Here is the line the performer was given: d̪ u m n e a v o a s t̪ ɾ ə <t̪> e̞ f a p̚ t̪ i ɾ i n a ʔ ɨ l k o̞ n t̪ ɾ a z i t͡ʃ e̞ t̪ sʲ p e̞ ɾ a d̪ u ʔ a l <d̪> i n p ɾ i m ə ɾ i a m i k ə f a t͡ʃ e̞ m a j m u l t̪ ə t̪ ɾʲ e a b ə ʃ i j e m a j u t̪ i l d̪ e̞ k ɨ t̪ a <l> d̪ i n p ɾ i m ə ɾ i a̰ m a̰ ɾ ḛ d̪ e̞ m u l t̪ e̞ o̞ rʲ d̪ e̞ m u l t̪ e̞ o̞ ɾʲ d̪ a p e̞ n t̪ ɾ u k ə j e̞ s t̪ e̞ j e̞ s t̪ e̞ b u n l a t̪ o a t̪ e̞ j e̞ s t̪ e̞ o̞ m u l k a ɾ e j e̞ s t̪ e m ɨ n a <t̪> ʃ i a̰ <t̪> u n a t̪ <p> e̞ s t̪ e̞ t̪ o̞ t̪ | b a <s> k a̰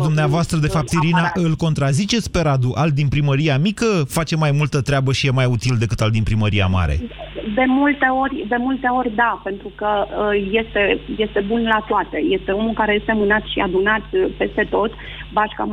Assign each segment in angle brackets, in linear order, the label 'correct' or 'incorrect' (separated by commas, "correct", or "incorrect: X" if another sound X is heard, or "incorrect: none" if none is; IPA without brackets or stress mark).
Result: incorrect: d̪, correct, correct, correct, incorrect: d̪, correct, incorrect: ʃ